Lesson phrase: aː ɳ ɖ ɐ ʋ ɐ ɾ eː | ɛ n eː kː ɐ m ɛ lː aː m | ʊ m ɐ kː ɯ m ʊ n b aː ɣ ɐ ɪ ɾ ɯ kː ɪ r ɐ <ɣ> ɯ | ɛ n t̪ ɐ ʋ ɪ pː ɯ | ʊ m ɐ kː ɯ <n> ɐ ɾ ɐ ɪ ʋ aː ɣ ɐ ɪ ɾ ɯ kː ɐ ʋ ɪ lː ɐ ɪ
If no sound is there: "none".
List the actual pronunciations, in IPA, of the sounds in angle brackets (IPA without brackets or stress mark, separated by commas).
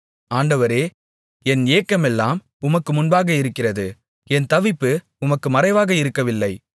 ð, m